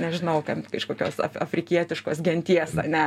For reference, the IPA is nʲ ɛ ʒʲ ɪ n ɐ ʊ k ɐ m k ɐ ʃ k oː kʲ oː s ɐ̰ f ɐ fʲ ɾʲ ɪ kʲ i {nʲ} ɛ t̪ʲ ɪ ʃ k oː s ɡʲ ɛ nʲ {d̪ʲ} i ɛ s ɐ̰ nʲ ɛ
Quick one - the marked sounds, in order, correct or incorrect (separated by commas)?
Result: incorrect, incorrect